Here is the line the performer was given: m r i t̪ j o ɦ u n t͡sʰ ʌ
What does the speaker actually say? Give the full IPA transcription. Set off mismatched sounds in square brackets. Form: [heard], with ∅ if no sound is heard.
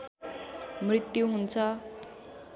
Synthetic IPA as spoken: m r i t̪ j [u] ɦ u n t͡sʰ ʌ